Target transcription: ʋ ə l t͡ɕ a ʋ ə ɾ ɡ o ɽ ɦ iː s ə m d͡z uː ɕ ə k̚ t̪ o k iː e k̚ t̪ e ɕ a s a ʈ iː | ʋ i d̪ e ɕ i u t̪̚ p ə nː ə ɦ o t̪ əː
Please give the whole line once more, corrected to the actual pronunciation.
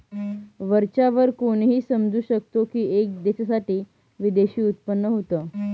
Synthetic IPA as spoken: ʋ ə ɾ t͡ɕ a ʋ ə ɾ k o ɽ ɦ iː s ə m d͡z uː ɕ ə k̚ t̪ o k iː e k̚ d̪ e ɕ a s a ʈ iː | ʋ i d̪ e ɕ iː u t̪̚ p ə nː ə ɦ o t̪ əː